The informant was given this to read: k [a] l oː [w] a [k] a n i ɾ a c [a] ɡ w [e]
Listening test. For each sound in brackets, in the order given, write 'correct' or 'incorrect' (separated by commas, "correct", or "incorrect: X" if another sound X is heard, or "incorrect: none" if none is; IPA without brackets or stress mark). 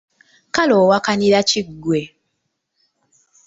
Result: correct, correct, correct, incorrect: i, correct